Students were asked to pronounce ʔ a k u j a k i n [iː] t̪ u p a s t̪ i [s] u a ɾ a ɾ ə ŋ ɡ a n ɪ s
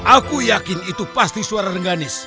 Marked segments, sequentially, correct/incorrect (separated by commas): incorrect, correct